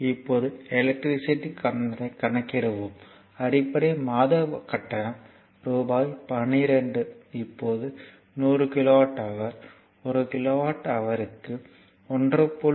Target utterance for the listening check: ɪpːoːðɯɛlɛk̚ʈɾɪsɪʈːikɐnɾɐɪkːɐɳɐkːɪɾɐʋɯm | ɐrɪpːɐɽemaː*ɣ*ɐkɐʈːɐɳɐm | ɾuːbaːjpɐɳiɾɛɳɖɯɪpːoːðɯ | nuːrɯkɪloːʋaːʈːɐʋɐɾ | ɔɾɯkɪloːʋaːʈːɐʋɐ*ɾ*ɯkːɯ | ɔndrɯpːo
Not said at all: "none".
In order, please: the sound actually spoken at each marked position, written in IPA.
ð, ɾ

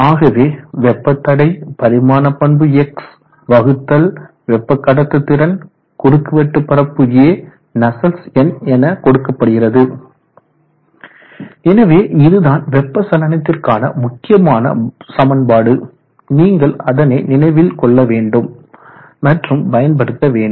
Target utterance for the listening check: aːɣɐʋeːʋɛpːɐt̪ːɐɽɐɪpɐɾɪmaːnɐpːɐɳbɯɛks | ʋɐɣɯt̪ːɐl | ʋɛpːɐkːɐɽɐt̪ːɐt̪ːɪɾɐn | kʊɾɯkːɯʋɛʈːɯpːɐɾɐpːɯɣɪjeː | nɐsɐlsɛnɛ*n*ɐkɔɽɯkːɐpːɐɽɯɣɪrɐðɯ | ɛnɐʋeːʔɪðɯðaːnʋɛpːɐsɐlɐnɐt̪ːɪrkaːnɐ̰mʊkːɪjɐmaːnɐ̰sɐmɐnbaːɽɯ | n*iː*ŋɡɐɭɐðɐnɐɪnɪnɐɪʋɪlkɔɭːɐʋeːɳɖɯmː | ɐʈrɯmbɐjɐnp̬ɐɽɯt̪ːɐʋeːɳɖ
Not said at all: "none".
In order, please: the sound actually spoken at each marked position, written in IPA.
n, iː

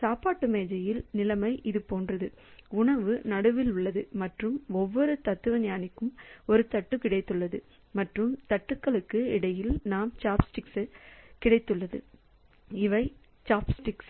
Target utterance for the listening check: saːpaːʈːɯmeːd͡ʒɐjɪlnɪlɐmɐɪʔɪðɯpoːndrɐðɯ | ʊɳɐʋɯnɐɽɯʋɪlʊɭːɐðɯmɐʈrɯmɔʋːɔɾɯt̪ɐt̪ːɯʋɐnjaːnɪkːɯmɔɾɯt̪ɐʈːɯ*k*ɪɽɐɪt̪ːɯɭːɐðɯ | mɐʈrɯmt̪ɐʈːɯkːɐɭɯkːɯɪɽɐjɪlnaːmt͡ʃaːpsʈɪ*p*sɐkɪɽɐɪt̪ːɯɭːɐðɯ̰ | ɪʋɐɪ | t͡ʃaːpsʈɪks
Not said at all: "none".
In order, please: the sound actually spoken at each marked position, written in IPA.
k, k

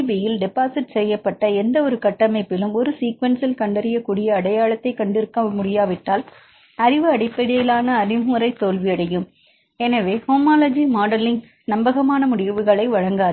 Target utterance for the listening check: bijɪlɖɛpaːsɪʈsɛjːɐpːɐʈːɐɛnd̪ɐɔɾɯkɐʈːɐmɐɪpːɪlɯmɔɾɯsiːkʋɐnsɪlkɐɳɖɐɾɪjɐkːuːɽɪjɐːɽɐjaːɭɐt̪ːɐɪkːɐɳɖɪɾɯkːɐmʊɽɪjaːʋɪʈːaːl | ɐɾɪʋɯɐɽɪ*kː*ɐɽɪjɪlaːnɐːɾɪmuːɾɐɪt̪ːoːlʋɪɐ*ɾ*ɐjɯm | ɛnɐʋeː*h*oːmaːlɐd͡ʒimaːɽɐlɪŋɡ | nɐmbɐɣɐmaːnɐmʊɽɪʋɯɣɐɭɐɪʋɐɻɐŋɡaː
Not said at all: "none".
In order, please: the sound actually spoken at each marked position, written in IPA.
pː, ɽ, h

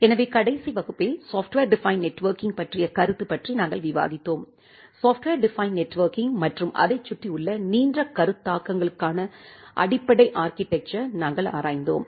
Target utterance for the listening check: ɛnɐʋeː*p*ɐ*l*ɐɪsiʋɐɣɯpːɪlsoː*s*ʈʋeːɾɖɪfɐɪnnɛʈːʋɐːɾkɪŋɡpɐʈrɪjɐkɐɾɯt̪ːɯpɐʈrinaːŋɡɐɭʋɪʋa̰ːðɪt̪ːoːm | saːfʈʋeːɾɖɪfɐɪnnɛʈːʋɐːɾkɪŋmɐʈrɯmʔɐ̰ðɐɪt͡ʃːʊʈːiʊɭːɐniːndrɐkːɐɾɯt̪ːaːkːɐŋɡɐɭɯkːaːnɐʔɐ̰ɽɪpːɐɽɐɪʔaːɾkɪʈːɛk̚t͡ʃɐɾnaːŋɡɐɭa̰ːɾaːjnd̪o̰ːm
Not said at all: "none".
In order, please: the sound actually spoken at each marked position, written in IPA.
k, ɽ, f

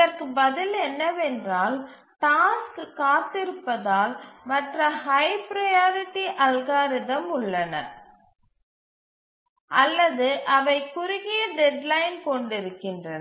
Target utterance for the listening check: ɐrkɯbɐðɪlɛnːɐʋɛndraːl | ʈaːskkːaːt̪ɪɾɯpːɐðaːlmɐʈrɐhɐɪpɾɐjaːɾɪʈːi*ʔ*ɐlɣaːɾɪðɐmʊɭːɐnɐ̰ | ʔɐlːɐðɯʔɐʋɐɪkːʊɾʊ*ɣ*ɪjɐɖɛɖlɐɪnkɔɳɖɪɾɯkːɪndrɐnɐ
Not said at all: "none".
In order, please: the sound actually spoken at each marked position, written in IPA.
ʔ, ɣ

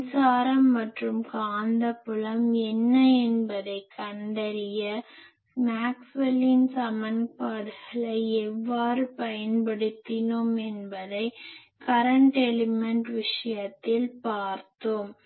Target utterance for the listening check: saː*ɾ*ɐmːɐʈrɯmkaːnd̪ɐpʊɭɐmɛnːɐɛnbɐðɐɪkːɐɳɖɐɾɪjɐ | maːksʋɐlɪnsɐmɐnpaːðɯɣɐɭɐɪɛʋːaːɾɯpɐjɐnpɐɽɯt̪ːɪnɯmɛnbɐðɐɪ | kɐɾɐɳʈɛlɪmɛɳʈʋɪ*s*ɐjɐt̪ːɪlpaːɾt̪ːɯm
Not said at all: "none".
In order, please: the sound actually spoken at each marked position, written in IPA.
ɾ, ʂ

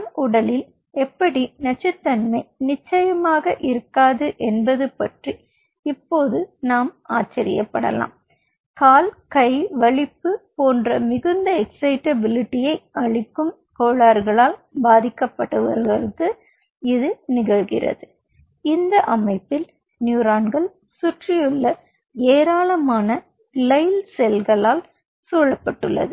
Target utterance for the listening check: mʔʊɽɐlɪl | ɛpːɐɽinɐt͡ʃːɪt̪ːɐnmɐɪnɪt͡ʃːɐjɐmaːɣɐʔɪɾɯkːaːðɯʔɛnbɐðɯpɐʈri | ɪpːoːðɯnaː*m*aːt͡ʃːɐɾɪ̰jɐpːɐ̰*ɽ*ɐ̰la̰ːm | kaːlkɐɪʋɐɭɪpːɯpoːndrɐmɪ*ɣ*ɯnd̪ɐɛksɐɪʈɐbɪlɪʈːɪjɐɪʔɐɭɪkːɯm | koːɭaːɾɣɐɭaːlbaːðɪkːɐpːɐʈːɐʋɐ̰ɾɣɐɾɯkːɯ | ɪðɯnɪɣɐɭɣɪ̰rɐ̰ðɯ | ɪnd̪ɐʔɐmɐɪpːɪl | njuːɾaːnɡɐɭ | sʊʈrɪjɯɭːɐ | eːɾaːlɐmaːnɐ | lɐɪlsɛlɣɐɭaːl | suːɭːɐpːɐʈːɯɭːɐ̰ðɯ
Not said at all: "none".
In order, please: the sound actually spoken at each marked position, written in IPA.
m, ɽ, ɣ

